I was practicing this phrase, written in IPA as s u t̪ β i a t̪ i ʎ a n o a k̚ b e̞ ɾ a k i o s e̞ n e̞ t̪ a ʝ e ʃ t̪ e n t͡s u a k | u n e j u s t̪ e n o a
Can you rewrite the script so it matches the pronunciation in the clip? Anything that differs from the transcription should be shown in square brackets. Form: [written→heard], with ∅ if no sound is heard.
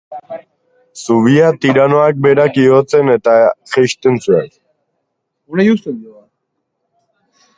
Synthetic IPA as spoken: s u [t̪→∅] β i a t̪ i [ʎ→ɾ] a n o a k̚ b e̞ ɾ a k i o [s→t͡s] e̞ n e̞ t̪ a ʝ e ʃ t̪ e n t͡s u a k | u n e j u s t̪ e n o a